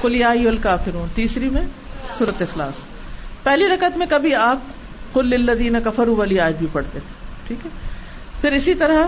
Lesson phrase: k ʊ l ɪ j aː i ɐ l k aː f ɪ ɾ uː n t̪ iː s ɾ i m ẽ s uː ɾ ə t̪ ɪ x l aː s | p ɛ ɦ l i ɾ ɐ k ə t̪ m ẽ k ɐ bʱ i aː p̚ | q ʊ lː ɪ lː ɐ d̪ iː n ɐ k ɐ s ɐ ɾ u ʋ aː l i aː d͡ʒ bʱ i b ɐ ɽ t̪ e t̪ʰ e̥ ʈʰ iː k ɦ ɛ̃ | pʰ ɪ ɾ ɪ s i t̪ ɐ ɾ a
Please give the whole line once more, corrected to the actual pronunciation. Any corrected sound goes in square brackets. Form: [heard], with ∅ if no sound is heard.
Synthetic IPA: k ʊ l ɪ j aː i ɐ l k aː f ɪ ɾ uː n t̪ iː s ɾ i m ẽ s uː ɾ ə t̪ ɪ x l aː s | p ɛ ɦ l i ɾ ɐ k ə t̪ m ẽ k ɐ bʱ i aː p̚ | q ʊ lː ɪ lː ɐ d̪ iː n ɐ k ɐ [f] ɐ ɾ u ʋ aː l i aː d͡ʒ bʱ i [p] ɐ ɽ t̪ e t̪ʰ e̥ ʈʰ iː k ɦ [ɛ] | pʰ ɪ ɾ ɪ s i t̪ ɐ ɾ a